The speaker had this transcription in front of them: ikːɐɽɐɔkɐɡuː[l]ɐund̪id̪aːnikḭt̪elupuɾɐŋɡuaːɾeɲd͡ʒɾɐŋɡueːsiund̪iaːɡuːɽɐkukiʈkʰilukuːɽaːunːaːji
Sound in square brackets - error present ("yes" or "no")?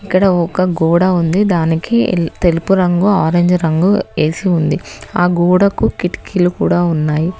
yes